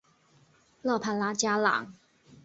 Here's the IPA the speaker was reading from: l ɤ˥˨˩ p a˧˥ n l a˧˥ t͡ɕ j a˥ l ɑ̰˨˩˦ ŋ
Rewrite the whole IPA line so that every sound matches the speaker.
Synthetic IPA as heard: l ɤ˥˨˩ pʰ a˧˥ n l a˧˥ t͡ɕ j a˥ l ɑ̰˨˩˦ ŋ